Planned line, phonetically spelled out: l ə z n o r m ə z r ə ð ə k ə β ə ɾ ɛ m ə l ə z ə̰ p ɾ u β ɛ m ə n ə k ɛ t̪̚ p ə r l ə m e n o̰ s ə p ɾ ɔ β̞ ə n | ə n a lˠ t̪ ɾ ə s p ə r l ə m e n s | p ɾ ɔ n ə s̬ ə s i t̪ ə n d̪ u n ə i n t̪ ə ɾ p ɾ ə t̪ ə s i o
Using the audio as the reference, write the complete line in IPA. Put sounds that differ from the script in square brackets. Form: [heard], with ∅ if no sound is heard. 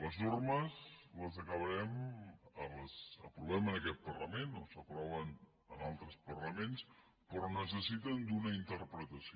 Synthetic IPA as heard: l ə z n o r m ə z [l] ə [z] ə k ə β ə ɾ ɛ m ə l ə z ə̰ p ɾ u β ɛ m ə n ə k ɛ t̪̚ p ə r l ə m e n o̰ s ə p ɾ ɔ β̞ ə n | ə n a lˠ t̪ ɾ ə s p ə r l ə m e n s | p ɾ ɔ n ə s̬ ə s i t̪ ə n d̪ u n ə i n t̪ ə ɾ p ɾ ə t̪ ə s i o